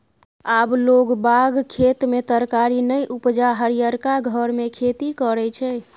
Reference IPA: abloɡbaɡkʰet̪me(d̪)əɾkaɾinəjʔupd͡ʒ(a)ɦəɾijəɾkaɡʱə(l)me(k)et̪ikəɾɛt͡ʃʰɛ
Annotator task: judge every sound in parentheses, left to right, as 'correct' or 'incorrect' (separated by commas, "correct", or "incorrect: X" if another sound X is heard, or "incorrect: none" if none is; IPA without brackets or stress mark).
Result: incorrect: t̪, correct, incorrect: ɾ, incorrect: kʰ